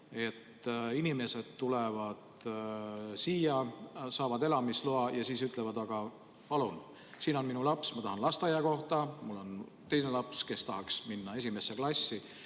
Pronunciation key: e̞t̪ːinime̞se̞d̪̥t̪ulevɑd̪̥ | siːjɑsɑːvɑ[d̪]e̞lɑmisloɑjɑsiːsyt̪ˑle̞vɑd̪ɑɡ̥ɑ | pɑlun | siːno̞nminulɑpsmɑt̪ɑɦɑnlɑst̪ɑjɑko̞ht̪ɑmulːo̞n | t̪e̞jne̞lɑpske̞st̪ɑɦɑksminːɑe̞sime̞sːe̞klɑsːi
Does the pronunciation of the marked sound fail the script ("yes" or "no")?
no